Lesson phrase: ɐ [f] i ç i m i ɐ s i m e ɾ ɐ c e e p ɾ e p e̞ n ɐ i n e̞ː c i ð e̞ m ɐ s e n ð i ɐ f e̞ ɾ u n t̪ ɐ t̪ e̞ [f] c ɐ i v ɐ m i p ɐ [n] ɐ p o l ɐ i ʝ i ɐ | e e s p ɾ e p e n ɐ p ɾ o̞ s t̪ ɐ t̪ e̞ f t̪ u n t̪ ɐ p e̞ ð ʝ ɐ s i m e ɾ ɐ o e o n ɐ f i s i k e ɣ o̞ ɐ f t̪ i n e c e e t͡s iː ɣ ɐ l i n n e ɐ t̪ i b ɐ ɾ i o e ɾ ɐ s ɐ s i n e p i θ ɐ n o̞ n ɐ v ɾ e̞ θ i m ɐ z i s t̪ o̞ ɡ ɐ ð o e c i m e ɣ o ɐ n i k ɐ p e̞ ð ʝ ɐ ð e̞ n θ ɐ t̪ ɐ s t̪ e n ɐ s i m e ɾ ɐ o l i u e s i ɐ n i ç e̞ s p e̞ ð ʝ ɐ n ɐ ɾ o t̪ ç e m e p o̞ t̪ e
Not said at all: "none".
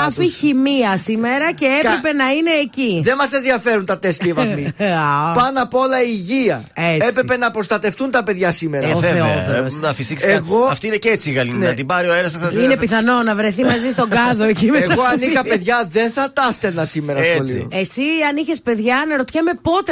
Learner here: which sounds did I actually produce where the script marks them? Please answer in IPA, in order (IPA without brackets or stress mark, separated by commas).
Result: f, s, n